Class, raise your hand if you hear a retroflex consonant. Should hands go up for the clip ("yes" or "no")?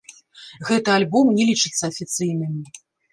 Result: yes